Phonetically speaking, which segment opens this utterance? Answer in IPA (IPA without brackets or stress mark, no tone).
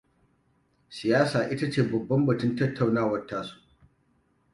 s